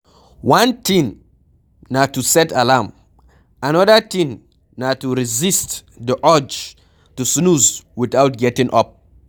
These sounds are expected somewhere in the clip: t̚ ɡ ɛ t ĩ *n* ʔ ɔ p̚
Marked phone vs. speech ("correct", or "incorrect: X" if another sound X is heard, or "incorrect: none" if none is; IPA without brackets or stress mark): incorrect: ŋ